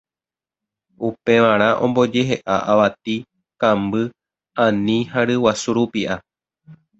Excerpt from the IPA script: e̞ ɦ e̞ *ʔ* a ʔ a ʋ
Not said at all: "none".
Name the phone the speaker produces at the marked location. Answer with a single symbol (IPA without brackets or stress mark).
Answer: ʔ